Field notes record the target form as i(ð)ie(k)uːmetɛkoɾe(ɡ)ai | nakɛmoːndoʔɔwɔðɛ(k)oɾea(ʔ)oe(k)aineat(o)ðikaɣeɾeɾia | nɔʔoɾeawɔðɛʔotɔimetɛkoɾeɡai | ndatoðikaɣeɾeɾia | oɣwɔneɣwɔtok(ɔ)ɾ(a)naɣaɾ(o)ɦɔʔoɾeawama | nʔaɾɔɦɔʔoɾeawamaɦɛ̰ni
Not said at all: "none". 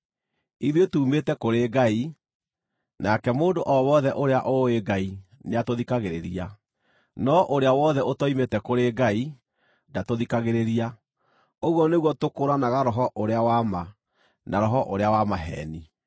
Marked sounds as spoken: ð, t, ɡ, ʔ, ʔ, ɡ, o, o, a, ɔ

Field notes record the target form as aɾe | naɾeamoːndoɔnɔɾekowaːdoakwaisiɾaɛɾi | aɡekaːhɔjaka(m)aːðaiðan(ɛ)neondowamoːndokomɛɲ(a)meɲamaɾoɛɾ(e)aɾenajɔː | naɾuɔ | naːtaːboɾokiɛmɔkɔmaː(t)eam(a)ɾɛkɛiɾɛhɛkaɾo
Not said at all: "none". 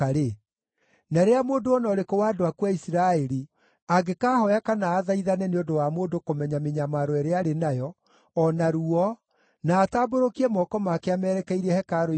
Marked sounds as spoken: n, ɛ, a, e, k, ɛ

